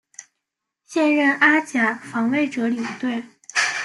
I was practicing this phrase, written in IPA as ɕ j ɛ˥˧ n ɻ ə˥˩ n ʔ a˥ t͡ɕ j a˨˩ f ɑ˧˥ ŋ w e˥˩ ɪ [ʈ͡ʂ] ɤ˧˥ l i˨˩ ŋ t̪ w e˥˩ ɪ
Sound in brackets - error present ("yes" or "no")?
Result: no